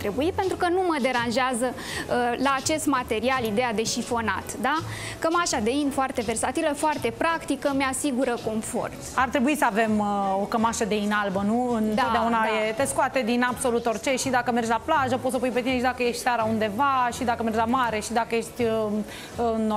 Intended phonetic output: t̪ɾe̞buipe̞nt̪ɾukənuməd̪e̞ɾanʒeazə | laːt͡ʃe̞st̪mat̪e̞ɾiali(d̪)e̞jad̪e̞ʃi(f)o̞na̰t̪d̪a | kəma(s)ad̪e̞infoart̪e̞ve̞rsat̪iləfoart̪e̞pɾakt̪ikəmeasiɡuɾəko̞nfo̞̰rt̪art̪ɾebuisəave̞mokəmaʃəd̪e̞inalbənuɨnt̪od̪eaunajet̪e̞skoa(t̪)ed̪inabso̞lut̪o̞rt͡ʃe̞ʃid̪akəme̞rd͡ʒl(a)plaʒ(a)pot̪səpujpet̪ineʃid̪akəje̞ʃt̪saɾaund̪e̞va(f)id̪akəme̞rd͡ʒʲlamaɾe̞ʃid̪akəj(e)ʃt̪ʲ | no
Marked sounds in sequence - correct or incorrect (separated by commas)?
correct, correct, incorrect, correct, correct, incorrect, incorrect, correct